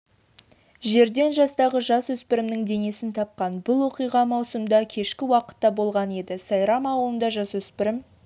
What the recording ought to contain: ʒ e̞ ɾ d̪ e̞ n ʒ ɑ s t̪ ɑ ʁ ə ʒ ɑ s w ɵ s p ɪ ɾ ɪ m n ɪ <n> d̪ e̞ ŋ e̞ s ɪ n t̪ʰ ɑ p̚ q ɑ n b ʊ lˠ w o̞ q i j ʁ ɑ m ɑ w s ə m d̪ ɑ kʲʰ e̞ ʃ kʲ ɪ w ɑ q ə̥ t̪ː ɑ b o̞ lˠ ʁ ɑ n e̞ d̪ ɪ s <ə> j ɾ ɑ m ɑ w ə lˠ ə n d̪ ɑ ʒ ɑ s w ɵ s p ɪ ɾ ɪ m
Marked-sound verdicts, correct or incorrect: incorrect, incorrect

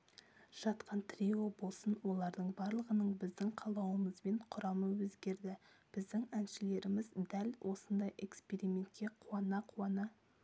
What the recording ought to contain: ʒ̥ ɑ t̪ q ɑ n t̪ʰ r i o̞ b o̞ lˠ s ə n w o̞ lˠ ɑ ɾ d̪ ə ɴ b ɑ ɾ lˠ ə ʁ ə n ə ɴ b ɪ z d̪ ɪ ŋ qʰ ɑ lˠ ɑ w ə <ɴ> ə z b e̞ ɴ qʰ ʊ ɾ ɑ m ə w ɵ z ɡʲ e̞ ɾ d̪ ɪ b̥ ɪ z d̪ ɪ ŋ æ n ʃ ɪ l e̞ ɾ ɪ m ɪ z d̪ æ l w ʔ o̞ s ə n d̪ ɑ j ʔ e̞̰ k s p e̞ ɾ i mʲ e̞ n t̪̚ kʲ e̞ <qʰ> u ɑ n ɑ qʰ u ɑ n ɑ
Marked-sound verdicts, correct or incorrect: incorrect, correct

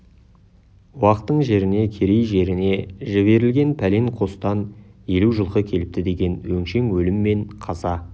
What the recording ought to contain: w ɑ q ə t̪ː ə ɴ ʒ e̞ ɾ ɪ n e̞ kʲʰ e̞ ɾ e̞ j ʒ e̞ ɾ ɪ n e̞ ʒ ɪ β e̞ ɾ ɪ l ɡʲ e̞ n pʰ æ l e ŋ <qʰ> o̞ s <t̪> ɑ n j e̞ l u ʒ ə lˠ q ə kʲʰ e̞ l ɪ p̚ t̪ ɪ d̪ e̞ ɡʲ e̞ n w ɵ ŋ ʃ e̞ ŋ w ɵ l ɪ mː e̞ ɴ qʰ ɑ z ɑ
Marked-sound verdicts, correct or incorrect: correct, correct

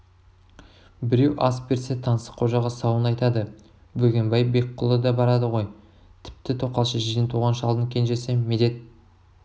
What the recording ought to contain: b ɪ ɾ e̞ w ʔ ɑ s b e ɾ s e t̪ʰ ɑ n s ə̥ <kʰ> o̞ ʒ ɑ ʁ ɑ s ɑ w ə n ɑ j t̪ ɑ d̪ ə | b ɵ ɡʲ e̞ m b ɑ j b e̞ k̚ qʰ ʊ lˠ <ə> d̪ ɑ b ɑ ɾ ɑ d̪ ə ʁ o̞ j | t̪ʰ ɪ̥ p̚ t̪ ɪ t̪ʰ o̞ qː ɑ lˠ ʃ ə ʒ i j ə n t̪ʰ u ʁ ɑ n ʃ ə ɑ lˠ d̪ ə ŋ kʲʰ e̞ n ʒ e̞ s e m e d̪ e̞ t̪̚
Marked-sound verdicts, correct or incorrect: incorrect, correct

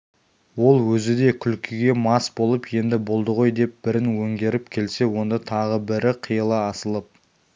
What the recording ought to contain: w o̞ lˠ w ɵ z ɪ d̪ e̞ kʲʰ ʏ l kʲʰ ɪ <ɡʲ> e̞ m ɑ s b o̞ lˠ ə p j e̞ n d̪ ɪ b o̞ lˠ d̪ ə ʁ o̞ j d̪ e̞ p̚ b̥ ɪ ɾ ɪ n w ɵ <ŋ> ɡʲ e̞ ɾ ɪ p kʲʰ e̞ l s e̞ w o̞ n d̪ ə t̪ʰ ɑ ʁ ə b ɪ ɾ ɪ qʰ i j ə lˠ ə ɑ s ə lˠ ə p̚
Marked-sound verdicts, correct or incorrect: correct, correct

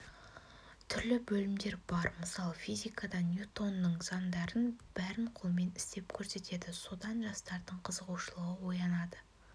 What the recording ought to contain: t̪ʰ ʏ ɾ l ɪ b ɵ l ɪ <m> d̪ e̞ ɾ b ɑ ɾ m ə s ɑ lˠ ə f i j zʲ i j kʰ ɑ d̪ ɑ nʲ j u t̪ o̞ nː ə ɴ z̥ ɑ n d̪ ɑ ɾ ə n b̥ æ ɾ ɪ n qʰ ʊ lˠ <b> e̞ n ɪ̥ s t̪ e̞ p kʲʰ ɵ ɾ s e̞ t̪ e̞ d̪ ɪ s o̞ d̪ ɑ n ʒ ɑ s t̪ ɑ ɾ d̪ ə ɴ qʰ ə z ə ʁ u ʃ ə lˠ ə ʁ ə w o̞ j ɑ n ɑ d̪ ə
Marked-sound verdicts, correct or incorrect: correct, incorrect

